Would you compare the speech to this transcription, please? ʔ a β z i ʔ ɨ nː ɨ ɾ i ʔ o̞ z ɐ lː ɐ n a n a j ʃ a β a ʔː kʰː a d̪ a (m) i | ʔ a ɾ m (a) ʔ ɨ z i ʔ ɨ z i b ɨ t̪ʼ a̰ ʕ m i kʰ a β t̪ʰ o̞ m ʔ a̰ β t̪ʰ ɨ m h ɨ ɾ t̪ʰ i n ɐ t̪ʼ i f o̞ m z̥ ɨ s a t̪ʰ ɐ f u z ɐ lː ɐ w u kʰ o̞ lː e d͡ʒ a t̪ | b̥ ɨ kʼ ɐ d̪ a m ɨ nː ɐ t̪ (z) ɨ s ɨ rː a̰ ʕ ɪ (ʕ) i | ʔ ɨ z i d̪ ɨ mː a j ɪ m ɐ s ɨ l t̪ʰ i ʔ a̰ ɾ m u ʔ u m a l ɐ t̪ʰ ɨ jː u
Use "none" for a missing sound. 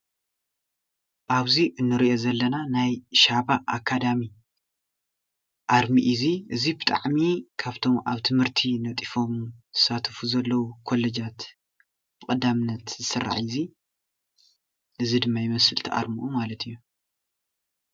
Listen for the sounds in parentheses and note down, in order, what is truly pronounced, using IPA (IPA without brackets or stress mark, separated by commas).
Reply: m, i, z, z